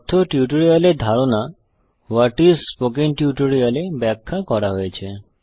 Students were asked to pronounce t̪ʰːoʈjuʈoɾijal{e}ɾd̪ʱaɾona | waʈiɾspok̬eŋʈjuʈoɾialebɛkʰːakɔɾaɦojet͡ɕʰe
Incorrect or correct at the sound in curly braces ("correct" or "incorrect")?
correct